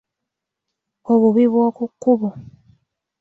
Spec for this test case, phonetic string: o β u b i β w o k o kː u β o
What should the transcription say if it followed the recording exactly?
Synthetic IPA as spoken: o β u β i β w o k u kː u β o